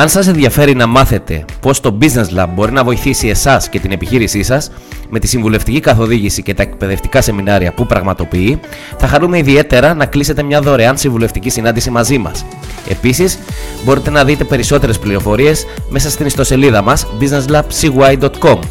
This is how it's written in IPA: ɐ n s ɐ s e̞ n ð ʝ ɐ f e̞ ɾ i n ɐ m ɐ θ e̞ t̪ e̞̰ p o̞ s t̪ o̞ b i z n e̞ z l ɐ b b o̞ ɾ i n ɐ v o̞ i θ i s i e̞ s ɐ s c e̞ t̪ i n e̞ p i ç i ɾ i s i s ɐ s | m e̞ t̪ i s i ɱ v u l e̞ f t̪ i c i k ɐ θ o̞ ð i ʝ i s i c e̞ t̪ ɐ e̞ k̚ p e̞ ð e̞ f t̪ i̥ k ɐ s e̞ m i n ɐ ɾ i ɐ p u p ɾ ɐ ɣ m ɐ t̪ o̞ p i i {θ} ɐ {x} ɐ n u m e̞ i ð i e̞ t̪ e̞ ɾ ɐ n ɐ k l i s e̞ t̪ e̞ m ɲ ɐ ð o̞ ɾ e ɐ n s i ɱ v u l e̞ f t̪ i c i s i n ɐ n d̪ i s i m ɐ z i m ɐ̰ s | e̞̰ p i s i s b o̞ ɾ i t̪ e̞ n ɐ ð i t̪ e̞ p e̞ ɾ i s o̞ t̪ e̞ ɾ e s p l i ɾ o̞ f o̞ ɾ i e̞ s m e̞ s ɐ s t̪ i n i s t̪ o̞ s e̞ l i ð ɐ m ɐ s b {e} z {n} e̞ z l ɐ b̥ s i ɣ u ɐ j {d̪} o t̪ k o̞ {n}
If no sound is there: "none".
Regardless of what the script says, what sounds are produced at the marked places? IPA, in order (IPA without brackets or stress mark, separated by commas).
θ, x, i, n, d̪, m